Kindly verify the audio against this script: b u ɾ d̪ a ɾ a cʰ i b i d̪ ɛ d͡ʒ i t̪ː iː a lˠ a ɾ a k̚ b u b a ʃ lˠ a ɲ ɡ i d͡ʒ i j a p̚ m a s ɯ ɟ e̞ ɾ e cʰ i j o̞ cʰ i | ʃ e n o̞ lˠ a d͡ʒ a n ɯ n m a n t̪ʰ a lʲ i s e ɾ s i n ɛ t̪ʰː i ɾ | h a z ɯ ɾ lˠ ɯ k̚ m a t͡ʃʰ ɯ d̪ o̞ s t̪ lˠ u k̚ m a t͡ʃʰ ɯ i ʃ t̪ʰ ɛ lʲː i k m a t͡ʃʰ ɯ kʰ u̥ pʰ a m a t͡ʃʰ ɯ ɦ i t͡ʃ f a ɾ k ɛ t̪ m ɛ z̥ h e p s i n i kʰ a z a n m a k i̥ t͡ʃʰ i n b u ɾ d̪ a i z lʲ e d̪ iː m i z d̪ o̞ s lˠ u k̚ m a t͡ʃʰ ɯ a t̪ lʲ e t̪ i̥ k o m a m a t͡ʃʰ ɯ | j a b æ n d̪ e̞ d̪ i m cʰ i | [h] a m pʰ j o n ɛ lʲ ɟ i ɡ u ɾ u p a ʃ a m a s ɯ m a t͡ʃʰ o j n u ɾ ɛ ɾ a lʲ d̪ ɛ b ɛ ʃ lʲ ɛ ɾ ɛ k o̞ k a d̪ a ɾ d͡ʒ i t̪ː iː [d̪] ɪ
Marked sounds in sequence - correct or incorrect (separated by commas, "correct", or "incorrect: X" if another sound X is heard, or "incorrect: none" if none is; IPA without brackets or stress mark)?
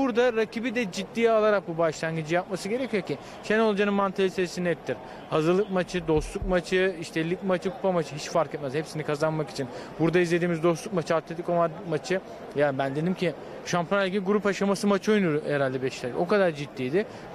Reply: incorrect: ʃ, correct